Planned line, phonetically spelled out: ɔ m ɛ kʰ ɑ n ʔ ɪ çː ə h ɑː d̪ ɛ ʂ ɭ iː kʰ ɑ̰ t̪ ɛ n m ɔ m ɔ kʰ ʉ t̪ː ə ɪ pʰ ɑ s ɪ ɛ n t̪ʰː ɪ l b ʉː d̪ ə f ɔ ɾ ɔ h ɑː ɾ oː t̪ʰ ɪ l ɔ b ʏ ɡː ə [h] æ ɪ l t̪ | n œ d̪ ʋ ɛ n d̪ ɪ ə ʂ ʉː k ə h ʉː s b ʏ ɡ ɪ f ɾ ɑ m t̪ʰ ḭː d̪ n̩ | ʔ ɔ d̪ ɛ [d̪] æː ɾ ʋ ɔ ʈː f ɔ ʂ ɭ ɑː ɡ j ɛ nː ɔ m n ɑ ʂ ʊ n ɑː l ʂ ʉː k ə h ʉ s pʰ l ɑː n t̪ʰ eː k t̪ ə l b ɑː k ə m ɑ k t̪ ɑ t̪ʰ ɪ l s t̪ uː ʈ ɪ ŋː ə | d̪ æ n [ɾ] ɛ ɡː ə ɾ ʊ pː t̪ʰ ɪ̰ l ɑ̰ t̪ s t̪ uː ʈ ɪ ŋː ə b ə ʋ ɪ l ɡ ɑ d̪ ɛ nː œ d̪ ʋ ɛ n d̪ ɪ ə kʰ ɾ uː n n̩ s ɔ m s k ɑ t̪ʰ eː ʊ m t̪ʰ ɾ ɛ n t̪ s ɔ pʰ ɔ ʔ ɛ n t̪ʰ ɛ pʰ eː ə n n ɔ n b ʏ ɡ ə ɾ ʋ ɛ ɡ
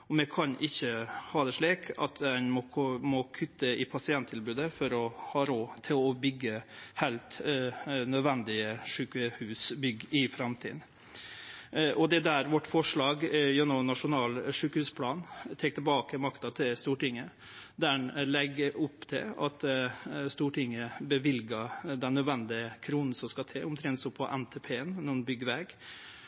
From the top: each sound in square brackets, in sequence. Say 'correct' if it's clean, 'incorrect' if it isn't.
correct, correct, incorrect

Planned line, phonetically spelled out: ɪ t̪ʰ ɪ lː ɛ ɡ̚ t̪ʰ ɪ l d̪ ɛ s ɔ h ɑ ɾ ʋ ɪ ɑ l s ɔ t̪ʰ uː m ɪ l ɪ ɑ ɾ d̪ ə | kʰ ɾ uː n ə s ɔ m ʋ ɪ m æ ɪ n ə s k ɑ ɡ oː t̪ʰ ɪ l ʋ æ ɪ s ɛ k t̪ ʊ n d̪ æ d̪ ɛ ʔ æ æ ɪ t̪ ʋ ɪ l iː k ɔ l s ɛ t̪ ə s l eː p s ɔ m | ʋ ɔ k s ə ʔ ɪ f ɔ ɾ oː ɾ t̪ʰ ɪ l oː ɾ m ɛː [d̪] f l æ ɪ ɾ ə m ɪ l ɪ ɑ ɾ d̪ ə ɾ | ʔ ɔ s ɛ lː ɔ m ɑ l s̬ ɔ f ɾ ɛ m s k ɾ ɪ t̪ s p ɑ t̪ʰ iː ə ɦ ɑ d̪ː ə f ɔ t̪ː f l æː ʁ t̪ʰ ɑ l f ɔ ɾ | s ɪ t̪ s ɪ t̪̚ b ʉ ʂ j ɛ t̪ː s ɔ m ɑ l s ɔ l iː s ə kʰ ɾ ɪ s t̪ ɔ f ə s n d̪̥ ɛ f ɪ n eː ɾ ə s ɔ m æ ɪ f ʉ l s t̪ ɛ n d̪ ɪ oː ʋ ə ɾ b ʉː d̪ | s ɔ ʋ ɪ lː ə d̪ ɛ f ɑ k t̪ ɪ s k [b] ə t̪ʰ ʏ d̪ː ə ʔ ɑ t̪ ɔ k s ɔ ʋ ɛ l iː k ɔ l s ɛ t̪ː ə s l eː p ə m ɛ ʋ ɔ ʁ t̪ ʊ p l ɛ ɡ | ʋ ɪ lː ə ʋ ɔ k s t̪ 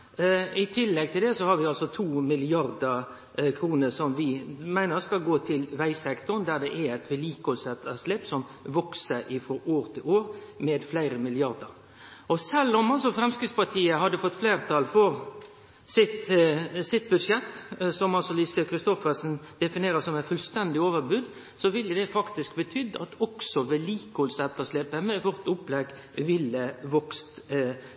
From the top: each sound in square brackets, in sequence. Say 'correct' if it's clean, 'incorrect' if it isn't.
correct, correct

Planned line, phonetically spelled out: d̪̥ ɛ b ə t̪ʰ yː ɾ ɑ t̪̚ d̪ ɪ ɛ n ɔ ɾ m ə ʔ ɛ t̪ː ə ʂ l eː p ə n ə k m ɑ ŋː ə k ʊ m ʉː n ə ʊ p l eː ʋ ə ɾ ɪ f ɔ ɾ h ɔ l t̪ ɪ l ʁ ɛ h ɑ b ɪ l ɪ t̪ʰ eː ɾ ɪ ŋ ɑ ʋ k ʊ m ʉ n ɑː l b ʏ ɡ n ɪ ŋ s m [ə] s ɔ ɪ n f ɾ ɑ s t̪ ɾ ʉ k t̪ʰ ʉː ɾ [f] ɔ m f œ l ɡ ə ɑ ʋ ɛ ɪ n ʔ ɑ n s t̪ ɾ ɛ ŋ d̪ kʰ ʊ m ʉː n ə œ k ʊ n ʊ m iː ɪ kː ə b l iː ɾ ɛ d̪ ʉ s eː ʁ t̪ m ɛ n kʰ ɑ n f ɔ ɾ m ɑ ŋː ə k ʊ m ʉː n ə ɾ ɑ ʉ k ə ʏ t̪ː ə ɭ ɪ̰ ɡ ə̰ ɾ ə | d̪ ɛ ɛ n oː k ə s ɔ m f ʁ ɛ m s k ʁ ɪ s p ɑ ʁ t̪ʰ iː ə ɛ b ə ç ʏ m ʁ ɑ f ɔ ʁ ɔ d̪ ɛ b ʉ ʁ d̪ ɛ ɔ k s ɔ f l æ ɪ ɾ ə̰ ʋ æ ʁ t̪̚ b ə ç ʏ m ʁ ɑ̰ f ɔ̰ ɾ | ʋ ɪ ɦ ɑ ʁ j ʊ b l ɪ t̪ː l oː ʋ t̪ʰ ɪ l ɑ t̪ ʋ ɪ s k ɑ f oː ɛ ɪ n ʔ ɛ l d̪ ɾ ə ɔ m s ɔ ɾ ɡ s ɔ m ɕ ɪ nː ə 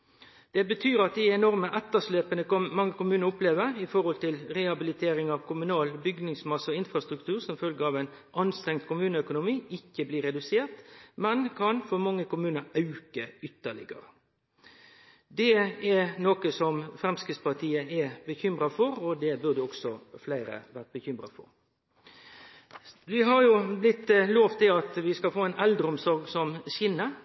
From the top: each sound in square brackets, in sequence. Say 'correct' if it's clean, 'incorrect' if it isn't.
incorrect, incorrect

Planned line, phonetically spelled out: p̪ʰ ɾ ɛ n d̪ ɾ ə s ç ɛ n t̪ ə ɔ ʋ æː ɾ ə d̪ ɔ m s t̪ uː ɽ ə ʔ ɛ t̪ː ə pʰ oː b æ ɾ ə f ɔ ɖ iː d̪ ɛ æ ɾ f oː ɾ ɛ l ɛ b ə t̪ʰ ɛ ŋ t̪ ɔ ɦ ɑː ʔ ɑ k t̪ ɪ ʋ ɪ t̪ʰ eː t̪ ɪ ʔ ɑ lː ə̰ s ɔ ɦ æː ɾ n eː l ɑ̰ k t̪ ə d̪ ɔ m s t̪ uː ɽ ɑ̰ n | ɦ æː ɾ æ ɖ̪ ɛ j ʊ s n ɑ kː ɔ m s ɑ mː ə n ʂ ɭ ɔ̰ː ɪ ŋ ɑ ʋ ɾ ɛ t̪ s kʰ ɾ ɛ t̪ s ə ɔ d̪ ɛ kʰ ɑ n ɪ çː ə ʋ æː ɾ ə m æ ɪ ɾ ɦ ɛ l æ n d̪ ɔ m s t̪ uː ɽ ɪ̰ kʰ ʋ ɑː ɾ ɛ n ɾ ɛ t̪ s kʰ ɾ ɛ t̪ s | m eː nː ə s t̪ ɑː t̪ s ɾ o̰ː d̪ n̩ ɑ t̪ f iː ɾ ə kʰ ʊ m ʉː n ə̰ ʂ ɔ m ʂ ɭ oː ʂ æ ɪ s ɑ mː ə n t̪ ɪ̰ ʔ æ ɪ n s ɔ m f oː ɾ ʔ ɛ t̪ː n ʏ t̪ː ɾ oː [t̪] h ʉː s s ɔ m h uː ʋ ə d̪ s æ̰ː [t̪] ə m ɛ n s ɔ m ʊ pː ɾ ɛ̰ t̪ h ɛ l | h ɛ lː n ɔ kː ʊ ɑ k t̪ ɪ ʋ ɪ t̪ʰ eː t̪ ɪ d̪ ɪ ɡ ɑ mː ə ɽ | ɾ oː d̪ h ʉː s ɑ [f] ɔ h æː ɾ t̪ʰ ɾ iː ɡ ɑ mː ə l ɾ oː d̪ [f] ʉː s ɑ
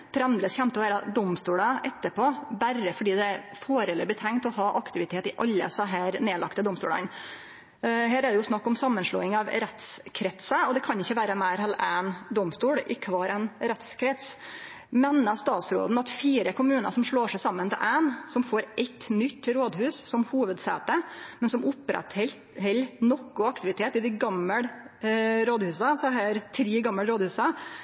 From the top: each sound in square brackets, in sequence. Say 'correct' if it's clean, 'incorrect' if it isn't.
incorrect, correct, incorrect, incorrect

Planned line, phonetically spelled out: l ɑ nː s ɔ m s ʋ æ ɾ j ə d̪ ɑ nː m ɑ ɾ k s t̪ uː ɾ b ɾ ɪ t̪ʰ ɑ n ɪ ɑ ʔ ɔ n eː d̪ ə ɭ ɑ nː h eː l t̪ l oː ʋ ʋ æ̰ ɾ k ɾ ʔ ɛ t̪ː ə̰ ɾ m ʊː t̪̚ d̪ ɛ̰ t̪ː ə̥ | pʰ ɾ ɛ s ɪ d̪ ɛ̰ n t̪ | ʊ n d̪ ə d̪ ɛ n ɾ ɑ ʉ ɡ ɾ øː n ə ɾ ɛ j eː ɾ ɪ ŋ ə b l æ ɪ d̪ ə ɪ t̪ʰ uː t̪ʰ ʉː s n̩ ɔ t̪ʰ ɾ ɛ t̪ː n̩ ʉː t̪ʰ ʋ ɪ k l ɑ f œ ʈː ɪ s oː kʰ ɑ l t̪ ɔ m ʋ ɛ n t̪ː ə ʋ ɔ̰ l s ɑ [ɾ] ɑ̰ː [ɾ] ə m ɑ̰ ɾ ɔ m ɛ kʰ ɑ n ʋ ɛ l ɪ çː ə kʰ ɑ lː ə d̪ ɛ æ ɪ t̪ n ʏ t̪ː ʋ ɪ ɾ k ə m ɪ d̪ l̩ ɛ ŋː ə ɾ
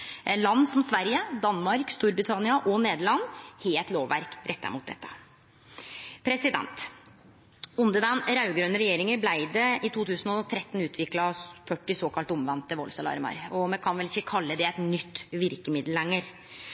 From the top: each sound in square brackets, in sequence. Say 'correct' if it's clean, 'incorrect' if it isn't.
incorrect, correct

